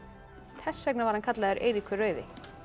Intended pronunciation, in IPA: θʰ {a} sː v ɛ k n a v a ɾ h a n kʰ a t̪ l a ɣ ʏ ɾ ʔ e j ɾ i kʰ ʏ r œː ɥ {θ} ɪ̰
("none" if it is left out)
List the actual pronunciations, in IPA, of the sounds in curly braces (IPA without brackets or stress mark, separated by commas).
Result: ɛ, ð